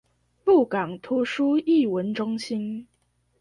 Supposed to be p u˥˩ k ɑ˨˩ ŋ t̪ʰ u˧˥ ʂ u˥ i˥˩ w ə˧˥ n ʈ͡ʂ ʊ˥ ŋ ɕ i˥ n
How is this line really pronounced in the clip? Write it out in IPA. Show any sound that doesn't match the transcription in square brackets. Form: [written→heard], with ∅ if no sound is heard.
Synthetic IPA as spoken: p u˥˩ k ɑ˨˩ ŋ t̪ʰ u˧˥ ʂ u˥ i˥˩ w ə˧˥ n ʈ͡ʂ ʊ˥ ŋ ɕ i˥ n